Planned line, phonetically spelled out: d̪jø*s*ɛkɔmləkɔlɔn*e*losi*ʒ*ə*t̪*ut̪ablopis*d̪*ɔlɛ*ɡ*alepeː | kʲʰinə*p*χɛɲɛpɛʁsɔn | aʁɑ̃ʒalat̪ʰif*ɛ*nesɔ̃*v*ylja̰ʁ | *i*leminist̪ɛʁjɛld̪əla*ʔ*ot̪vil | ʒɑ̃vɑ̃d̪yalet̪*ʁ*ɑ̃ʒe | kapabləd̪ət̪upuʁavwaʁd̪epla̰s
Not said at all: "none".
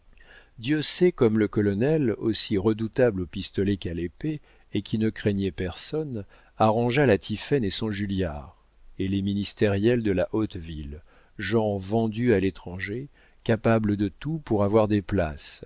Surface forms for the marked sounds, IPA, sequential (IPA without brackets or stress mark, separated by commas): s, ɛ, ʁ, d̪, t̪, k, k, ɛ, ʒ, e, ʔ, χ